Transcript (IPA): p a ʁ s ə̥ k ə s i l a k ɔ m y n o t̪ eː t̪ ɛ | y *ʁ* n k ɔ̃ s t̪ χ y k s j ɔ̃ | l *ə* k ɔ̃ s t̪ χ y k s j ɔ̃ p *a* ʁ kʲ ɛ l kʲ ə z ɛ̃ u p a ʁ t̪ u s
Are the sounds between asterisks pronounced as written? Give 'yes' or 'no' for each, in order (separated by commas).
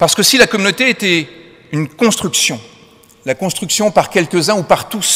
no, no, yes